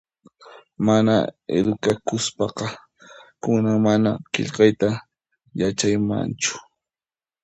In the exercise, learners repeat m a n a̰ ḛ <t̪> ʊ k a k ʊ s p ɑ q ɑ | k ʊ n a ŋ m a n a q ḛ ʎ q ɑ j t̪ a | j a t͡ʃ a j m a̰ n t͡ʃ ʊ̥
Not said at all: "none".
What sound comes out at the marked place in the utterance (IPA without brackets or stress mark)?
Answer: d̪